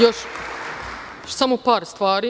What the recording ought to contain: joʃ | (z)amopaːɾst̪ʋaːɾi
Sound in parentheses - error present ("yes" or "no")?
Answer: yes